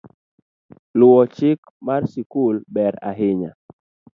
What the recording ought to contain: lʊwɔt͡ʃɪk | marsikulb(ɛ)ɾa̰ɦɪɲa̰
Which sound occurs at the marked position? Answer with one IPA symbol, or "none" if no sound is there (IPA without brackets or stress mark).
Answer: ɛ